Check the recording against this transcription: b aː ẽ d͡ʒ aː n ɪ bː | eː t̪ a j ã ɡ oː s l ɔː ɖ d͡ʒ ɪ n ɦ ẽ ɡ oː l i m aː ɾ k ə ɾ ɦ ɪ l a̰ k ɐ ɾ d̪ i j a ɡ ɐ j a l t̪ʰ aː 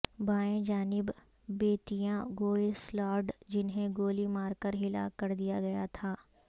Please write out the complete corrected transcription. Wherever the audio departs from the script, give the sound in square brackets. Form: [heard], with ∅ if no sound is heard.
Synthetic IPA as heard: b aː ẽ d͡ʒ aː n ɪ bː | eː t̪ [i] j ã ɡ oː s l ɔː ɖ d͡ʒ ɪ n ɦ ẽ ɡ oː l i m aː ɾ k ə ɾ ɦ ɪ l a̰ k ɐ ɾ d̪ i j a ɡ ɐ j a [∅] t̪ʰ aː

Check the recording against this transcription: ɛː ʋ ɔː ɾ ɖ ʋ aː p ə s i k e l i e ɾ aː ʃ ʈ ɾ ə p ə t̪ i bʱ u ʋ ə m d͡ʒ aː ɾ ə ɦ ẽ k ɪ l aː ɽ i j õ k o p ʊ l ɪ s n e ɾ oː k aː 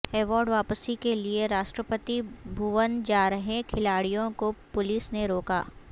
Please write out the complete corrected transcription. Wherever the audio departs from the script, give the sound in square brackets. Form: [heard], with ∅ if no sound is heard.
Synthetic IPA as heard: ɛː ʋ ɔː ɾ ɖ ʋ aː p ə s i k e l i e ɾ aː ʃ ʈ ɾ ə p ə t̪ i bʱ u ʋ ə [n] d͡ʒ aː ɾ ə ɦ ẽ [kʰ] ɪ l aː ɽ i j õ k o p ʊ l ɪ s n e ɾ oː k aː

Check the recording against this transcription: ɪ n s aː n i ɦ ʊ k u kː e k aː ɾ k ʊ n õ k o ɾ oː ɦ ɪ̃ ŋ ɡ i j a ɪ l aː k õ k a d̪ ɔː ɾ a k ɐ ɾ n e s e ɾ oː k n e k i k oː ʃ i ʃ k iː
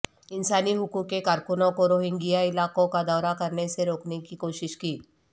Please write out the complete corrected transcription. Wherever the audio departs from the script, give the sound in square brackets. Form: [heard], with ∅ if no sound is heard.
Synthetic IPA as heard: ɪ n s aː n i ɦ ʊ k u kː e k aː ɾ k ʊ n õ k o ɾ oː ɦ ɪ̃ ŋ ɡ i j a ɪ l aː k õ k a d̪ ɔː ɾ a k ɐ ɾ n e s e ɾ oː k n e k i k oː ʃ [ɪ] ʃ k iː

